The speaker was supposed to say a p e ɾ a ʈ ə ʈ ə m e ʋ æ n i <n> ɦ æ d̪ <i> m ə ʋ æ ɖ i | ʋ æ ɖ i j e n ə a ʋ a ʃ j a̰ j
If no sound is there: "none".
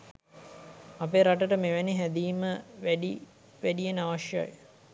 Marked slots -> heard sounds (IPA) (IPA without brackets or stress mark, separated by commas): none, iː